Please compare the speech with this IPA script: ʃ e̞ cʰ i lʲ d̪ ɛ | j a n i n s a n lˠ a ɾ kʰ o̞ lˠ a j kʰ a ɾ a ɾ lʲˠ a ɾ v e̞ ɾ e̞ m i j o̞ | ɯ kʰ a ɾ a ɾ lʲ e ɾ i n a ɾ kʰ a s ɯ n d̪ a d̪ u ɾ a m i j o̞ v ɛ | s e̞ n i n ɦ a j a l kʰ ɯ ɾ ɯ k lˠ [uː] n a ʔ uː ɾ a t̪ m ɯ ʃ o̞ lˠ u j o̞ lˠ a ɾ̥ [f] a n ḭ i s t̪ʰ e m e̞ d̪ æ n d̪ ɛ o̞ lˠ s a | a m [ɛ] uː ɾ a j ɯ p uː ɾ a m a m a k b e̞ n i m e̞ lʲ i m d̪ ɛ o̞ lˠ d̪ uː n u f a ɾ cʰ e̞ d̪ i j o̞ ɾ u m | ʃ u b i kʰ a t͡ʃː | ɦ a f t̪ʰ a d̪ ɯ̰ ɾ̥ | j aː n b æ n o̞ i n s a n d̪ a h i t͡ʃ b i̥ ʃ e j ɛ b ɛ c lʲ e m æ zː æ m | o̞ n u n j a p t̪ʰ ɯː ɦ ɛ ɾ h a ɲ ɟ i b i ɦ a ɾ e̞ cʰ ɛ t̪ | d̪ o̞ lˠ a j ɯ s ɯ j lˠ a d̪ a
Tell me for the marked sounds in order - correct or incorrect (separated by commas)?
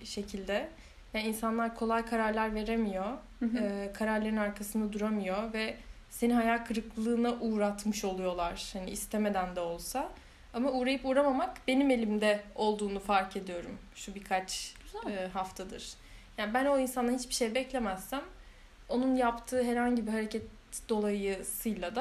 incorrect, incorrect, incorrect